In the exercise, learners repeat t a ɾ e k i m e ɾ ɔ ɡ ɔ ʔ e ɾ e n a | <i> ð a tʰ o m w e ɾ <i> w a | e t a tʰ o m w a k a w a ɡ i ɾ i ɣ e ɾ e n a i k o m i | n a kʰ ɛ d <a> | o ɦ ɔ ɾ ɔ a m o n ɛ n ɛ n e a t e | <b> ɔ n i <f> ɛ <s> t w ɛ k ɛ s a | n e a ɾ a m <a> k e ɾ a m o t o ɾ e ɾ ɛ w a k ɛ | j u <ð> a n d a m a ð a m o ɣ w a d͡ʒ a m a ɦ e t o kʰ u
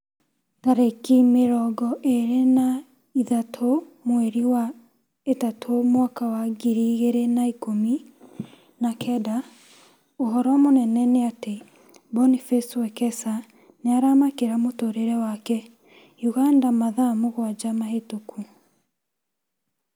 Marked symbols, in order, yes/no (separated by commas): yes, yes, yes, yes, yes, yes, yes, no